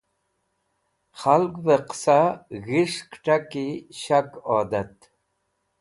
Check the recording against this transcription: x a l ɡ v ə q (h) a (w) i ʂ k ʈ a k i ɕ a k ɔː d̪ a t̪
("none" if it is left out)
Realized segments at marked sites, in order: s, ɣ

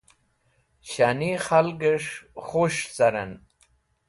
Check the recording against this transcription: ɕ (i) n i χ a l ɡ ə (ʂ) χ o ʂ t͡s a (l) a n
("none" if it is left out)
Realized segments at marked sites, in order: a, ʂ, ɾ

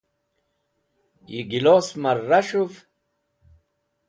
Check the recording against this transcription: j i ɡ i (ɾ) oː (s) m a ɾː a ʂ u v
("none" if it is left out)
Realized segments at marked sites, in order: l, s

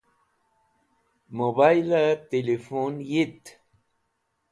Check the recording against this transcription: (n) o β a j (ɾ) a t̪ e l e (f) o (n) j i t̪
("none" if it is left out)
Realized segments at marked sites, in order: m, l, f, n

